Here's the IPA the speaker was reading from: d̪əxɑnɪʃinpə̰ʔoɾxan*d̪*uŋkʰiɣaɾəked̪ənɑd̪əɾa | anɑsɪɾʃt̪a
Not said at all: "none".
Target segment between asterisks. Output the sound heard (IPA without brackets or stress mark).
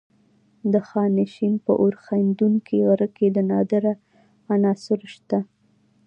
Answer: d̪